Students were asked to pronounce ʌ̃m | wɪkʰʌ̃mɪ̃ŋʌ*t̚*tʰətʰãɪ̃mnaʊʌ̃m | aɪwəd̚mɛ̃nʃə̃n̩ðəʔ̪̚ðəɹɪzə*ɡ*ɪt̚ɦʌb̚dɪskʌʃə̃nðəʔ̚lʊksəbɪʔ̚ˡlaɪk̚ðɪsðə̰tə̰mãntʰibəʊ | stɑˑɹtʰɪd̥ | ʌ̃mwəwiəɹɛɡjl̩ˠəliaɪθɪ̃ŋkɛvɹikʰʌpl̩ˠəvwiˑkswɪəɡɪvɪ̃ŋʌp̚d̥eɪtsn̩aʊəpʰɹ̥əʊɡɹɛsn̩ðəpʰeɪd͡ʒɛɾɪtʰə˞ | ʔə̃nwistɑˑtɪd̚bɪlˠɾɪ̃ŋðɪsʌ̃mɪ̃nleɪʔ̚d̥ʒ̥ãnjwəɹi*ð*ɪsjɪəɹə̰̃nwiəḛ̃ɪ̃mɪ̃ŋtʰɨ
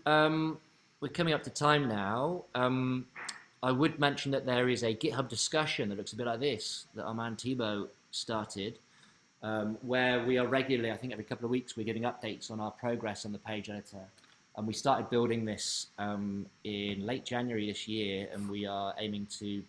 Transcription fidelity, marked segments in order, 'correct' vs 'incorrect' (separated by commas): incorrect, correct, correct